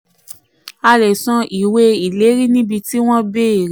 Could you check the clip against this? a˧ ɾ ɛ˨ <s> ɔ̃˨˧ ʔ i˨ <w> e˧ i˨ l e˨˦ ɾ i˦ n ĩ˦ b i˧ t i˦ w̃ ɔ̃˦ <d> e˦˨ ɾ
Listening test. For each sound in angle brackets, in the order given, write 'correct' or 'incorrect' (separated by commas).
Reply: correct, correct, incorrect